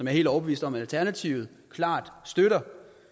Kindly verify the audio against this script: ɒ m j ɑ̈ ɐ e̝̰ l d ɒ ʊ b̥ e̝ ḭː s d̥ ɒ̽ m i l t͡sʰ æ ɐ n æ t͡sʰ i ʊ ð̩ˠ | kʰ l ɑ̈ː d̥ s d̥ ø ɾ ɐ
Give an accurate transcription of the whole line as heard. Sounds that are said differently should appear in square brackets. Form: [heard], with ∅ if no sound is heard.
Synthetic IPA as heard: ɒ m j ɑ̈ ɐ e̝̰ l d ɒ ʊ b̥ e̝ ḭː s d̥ ɒ̽ m [æ] l t͡sʰ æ ɐ n æ t͡sʰ i ʊ ð̩ˠ | kʰ l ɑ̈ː d̥ s d̥ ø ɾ ɐ

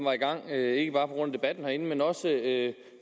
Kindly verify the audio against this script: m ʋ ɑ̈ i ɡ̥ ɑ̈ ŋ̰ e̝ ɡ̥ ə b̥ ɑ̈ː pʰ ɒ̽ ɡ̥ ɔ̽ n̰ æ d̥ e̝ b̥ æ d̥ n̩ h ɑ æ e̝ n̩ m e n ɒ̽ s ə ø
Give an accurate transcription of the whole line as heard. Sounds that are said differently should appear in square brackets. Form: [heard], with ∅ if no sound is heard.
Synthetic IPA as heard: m ʋ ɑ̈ i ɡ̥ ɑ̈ ŋ̰ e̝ ɡ̥ ə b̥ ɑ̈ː pʰ ɒ̽ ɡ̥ ɔ̽ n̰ æ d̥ e̝ b̥ æ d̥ n̩ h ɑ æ e̝ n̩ m e n ɒ̽ s ə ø

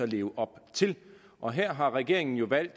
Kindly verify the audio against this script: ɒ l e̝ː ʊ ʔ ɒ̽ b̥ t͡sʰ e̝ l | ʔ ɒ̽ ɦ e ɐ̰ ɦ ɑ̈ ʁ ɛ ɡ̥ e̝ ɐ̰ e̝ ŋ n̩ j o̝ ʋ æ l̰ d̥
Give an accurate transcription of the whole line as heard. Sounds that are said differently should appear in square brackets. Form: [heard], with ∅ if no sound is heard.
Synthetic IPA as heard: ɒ l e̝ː ʊ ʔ ɒ̽ b̥ t͡sʰ e̝ l | ʔ ɒ̽ ɦ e ɐ̰ ɦ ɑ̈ ʁ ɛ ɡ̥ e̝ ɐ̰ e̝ ŋ n̩ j o̝ ʋ æ l̰ d̥

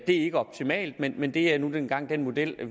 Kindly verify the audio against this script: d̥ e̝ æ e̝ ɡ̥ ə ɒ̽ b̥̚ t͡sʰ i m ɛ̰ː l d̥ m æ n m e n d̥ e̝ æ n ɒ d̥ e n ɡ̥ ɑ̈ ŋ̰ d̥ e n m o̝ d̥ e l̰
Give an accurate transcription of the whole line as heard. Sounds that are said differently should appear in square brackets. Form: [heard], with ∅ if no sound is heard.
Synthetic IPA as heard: d̥ e̝ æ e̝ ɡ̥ ə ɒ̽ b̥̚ t͡sʰ i m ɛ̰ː l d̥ m [e] n m e n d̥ e̝ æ n [u] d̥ e n ɡ̥ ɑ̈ ŋ̰ d̥ e n m o̝ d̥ e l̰

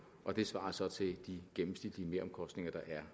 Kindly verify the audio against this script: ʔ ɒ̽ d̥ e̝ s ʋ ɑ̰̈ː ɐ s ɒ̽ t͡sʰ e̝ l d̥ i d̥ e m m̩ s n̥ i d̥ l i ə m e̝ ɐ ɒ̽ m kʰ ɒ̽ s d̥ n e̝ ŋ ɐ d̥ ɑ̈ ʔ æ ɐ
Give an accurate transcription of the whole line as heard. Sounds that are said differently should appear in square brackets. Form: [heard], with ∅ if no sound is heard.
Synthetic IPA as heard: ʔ ɒ̽ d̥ e̝ s ʋ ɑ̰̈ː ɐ s ɒ̽ t͡sʰ e̝ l d̥ i [ɡ̥] e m m̩ s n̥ i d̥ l i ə m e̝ ɐ ɒ̽ m kʰ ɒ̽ s d̥ n e̝ ŋ ɐ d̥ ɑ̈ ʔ æ ɐ

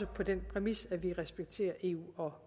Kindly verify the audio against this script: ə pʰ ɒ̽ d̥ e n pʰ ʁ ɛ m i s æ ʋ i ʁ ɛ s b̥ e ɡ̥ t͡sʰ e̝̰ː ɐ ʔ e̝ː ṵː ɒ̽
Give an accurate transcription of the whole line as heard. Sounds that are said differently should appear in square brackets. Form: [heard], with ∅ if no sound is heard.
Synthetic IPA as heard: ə pʰ ɒ̽ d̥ e n pʰ ʁ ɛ m i s æ ʋ i ʁ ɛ s b̥ e ɡ̥ t͡sʰ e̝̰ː ɐ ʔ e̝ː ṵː ɒ̽

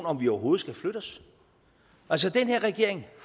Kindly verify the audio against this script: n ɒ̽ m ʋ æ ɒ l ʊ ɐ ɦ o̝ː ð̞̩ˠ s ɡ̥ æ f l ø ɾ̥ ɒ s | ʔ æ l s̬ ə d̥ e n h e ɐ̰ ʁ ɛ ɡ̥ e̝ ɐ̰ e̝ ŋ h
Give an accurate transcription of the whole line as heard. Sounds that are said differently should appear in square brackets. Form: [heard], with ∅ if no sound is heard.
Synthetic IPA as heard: n ɒ̽ m ʋ [i] ɒ [∅] ʊ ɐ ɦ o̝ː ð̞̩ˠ s ɡ̥ æ f l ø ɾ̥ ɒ s | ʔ æ l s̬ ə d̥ e n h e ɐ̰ ʁ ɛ ɡ̥ e̝ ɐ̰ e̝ ŋ h

